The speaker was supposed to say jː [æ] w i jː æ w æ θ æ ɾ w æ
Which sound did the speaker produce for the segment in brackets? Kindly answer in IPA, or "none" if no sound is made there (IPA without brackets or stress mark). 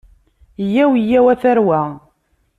æ